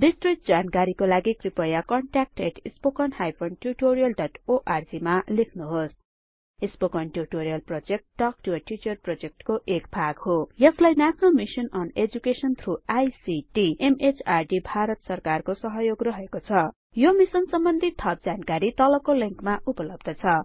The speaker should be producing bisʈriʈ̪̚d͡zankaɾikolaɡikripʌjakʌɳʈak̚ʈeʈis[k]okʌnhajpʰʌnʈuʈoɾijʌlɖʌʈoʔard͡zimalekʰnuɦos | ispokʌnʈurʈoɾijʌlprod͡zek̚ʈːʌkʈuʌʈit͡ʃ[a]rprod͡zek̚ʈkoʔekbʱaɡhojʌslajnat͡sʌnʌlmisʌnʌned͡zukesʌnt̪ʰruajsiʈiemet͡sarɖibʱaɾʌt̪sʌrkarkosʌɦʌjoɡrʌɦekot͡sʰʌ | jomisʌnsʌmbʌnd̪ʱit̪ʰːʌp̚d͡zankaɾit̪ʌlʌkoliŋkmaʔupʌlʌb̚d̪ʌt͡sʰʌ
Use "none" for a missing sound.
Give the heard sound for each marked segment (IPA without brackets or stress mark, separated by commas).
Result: p, ʌ